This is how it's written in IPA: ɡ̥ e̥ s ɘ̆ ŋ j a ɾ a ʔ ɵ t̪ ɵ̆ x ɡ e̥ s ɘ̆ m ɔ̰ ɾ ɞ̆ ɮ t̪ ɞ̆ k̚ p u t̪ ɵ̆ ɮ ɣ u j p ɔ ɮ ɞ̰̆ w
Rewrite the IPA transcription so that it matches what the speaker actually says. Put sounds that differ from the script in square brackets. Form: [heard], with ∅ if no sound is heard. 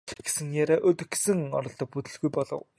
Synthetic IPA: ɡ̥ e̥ s ɘ̆ ŋ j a ɾ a ʔ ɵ t̪ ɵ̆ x ɡ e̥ s ɘ̆ [ŋ] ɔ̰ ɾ ɞ̆ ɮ t̪ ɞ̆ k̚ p u t̪ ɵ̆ ɮ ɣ u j p ɔ ɮ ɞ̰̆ w